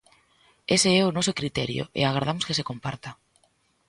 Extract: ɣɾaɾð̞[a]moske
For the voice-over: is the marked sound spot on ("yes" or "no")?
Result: yes